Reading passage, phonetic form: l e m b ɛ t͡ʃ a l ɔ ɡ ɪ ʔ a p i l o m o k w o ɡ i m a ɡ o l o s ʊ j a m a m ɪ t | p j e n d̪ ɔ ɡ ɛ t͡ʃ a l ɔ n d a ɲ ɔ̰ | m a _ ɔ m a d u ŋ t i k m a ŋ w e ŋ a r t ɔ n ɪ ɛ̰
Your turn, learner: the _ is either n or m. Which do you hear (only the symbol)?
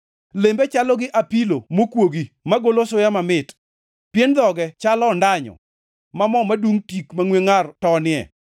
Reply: m